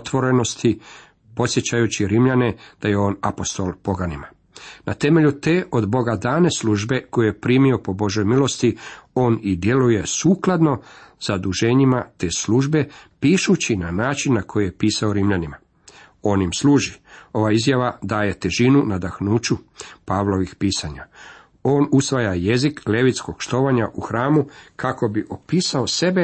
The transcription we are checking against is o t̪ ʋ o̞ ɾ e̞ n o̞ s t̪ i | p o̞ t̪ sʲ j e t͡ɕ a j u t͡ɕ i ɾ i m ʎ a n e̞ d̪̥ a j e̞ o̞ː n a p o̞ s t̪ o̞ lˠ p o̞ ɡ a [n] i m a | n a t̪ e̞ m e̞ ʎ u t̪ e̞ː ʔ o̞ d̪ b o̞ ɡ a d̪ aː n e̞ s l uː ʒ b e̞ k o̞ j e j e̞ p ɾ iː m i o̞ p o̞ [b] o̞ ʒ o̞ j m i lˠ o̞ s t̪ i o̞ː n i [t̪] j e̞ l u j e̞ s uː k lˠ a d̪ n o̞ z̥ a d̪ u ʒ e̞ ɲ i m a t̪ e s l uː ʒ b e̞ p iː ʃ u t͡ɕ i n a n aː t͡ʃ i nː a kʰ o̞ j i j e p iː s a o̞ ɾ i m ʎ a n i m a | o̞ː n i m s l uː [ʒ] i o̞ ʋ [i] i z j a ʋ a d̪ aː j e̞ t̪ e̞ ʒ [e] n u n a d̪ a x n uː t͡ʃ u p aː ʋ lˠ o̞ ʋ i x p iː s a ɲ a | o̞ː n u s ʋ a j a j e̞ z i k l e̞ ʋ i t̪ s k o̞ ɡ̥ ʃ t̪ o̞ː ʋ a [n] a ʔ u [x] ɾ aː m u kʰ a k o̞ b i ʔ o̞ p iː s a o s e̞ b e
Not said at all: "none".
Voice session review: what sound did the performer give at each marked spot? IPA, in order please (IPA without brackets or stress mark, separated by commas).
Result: n, b, d̪, ʒ, a, i, ɲ, x